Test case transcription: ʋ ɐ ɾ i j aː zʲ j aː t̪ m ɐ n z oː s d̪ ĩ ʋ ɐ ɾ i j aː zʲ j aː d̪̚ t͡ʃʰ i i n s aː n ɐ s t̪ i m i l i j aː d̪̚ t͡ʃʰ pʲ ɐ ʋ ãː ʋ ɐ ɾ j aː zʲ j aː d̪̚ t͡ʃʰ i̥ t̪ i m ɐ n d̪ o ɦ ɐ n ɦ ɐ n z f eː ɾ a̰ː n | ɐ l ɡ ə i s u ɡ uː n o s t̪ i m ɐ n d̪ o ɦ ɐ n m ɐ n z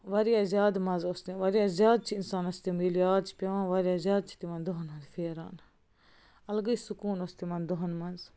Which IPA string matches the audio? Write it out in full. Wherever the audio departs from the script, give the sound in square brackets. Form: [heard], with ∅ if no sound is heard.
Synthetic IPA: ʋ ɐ ɾ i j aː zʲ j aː [d̪] m ɐ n z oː s [t̪] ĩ ʋ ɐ ɾ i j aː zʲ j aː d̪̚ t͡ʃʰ i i n s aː n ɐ s t̪ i m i l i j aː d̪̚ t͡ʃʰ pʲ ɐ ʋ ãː ʋ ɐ ɾ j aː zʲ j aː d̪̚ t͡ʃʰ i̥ t̪ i m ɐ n d̪ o ɦ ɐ n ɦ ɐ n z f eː ɾ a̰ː n | ɐ l ɡ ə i s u [k] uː n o s t̪ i m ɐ n d̪ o ɦ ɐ n m ɐ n z